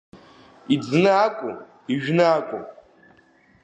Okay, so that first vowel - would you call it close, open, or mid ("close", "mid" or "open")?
close